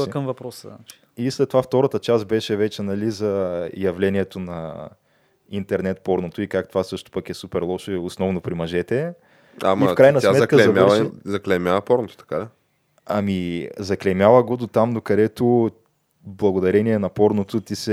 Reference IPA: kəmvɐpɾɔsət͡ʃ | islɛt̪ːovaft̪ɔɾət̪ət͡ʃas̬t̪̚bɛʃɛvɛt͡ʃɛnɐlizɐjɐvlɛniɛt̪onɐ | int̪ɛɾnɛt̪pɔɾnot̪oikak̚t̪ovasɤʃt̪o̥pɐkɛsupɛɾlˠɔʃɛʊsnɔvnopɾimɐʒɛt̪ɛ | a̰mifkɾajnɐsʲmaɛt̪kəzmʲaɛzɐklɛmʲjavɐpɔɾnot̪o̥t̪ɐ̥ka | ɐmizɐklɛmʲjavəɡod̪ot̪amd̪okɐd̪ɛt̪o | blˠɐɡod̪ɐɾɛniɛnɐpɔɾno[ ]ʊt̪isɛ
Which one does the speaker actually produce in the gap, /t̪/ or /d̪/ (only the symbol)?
t̪